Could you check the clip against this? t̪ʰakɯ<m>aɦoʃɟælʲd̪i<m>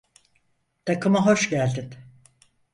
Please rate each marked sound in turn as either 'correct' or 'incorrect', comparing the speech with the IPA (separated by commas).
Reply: correct, incorrect